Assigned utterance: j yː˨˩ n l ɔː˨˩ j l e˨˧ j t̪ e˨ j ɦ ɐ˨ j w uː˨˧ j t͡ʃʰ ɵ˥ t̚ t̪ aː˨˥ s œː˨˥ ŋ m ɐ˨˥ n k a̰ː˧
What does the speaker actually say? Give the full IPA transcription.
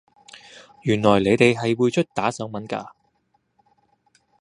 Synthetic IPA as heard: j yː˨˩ n l ɔː˨˩ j l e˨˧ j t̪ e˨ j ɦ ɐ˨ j w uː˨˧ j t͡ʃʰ ɵ˥ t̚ t̪ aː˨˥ s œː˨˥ ŋ m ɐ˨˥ n k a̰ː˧

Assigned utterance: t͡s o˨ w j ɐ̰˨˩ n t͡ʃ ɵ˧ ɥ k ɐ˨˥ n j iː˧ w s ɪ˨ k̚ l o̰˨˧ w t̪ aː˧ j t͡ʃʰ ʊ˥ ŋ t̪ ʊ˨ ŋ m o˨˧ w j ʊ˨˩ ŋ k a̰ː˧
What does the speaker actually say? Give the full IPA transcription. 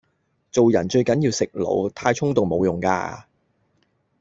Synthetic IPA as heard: t͡s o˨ w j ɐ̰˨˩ n t͡ʃ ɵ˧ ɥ k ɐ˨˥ n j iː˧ w s ɪ˨ k̚ l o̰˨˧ w t̪ʰ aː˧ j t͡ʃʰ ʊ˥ ŋ t̪ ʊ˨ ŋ m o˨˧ w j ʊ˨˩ ŋ k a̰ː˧

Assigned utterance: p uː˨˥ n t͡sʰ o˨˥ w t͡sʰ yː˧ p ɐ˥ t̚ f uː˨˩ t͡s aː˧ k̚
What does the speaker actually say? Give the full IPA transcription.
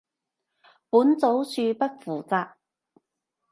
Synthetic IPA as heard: p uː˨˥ n t͡s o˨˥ w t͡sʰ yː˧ p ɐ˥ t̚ f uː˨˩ t͡s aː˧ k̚

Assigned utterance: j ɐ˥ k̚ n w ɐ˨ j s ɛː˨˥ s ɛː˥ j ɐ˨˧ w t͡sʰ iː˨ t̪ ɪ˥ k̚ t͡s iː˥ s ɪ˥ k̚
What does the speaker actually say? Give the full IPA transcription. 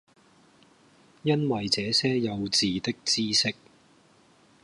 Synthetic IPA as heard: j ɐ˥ n w ɐ˨ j t͡s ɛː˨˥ s ɛː˥ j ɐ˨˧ w t͡s iː˨ t̪ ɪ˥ k̚ t͡s iː˥ s ɪ˥ k̚

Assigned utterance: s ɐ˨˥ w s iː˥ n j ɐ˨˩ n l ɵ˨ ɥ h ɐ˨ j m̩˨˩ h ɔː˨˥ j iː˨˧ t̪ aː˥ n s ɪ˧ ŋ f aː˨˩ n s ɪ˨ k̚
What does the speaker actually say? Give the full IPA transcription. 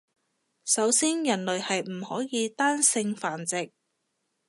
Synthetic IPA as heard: s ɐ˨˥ w s iː˥ n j ɐ˨˩ n l ɵ˨ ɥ h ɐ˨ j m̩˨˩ h ɔː˨˥ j iː˨˧ t̪ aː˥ n s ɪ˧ ŋ f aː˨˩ n t͡s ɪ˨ k̚

